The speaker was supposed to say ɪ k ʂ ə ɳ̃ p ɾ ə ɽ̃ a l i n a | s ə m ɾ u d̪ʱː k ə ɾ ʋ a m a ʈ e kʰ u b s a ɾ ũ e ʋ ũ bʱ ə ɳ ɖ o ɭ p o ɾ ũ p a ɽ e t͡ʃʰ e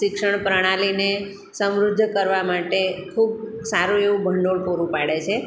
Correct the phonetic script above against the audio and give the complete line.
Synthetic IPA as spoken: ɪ k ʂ ə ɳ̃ p ɾ ə ɽ̃ a l i n e | s ə m ɾ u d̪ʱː k ə ɾ ʋ a m a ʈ e kʰ u b s a ɾ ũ e ʋ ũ bʱ ə ɳ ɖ o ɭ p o ɾ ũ p a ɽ e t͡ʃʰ e